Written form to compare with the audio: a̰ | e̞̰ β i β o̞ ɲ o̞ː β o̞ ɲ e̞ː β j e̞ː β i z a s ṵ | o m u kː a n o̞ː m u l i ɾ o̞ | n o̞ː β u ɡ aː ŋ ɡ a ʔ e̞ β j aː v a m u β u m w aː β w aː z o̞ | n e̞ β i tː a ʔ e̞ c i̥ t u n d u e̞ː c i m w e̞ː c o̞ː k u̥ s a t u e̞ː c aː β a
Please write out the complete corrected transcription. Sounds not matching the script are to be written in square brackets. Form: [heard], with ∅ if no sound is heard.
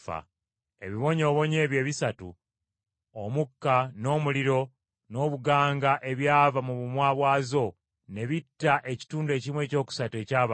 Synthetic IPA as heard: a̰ | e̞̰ β i β o̞ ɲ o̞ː β o̞ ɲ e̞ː β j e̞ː β i [s] a [t] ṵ | o m u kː a n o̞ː m u l i ɾ o̞ | n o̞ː β u ɡ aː ŋ ɡ a ʔ e̞ β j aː v a m u β u m w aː β w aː z o̞ | n e̞ β i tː a ʔ e̞ c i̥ t [uː] n d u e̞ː c i m w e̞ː c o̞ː k u̥ s a t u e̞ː c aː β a

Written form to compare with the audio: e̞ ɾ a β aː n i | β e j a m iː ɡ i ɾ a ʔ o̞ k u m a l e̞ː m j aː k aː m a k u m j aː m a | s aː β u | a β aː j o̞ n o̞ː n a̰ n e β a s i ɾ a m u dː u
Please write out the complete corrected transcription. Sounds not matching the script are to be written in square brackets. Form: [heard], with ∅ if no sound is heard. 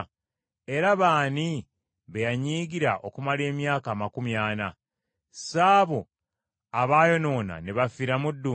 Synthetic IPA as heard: e̞ ɾ a β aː n i | β e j a [ɲ] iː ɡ i ɾ a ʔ o̞ k u m a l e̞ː m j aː k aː m a k u m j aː [n] a | s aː β [o] | a β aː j o̞ n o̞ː n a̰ n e β a [f] i ɾ a m u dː u

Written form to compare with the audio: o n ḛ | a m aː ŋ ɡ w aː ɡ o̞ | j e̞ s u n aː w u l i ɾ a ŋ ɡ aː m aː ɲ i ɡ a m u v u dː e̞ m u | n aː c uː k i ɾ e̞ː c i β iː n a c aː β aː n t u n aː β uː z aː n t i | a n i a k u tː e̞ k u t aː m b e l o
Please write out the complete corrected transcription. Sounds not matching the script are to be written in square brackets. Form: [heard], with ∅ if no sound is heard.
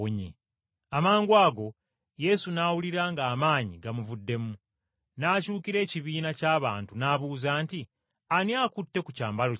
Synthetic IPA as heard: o [ɲ] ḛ | a m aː ŋ ɡ w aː ɡ o̞ | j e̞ s u n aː w u l i ɾ a ŋ ɡ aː m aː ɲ i ɡ a m u v u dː e̞ m u | n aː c uː k i ɾ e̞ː c i β iː n a c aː β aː n t u n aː β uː z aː n t i | a n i a k u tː e̞ k u [c] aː m b [a] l o

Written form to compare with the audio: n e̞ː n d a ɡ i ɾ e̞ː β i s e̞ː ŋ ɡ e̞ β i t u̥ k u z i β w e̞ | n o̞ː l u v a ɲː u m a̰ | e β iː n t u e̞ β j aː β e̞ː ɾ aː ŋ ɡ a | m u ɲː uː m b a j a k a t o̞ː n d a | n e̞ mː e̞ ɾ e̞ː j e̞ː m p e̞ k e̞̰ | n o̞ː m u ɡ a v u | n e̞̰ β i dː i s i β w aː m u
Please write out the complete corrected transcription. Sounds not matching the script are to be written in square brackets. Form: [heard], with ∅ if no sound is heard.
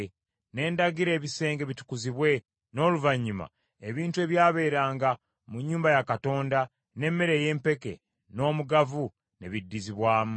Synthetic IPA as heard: n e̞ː n d a ɡ i ɾ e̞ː β i s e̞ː ŋ ɡ e̞ β i t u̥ k u z i β w e̞ | n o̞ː l u v a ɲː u m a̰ | e β iː n t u e̞ β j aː β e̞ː ɾ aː ŋ ɡ a | m u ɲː uː m b a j a k a t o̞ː n d a | n e̞ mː e̞ ɾ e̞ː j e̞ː m p e̞ k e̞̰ | n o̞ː m u ɡ a v u | n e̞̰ β i dː i [z] i β w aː m u

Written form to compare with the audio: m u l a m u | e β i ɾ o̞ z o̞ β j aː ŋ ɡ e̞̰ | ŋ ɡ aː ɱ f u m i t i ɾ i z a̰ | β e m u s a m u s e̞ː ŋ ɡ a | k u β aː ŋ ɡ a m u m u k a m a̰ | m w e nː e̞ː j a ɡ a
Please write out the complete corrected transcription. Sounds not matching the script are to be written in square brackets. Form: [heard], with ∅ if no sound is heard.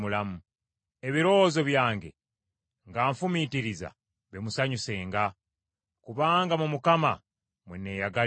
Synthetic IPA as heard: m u l a m u | e β i ɾ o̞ z o̞ β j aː ŋ ɡ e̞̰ | ŋ ɡ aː ɱ f u m i t i ɾ i z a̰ | β e m u s a [ɲ] u s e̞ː ŋ ɡ a | k u β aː ŋ ɡ a m u m u k a m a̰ | m w e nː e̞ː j a ɡ a

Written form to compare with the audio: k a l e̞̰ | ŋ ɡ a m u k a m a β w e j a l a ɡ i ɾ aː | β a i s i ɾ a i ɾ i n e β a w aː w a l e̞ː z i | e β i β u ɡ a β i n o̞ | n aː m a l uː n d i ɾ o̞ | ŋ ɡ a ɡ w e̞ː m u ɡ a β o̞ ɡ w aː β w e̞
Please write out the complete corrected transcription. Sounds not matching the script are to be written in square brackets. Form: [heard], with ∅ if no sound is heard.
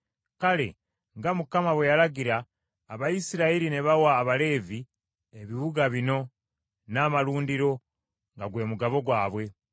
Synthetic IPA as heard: k a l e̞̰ | ŋ ɡ a m u k a m a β w e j a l a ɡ i ɾ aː | β a i s i ɾ a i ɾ i n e β a w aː [β] a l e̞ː [v] i | e β i β u ɡ a β i n o̞ | n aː m a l uː n d i ɾ o̞ | ŋ ɡ a ɡ w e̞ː m u ɡ a β o̞ ɡ w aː β w e̞

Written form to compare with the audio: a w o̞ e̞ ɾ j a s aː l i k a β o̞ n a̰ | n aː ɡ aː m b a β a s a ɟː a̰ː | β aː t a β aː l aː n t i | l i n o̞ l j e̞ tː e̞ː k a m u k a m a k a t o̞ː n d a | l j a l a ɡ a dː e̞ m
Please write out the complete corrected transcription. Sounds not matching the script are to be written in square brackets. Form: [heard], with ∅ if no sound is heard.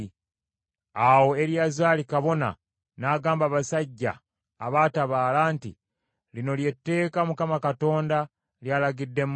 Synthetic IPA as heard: a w o̞ e̞ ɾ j a [z] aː l i k a β o̞ n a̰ | n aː ɡ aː m b a β a s a ɟː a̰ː | β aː t a β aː l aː n t i | l i n o̞ l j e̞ tː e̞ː k a m u k a m a k a t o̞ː n d a | l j a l a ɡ [i] dː e̞ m

